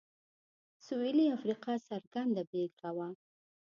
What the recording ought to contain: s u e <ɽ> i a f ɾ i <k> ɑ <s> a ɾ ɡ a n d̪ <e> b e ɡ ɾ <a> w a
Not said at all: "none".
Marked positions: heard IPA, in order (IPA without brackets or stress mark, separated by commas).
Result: l, q, s, a, a